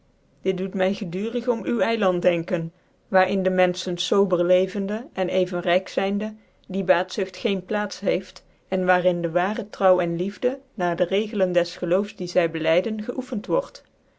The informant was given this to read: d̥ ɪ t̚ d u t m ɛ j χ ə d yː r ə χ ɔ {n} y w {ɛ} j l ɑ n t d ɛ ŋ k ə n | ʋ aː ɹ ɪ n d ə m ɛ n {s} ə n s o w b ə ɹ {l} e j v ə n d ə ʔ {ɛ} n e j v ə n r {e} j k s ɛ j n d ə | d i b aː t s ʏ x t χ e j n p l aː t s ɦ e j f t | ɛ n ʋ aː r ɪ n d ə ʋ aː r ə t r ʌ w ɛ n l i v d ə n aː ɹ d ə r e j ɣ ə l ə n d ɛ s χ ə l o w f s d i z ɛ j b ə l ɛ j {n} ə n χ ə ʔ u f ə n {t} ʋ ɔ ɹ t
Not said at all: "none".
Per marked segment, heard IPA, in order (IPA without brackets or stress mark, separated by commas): m, ɛ, s, l, ɛ, ɛ, d, t